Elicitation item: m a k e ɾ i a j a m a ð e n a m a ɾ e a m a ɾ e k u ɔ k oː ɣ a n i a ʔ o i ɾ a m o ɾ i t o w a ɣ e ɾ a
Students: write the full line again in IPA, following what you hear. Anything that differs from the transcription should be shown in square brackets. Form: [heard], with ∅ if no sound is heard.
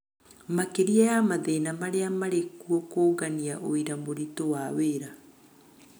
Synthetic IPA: m a k e ɾ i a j a m a ð e n a m a ɾ e a m a ɾ e k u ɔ k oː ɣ a n i a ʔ o i ɾ a m o ɾ i t o w a [w] e ɾ a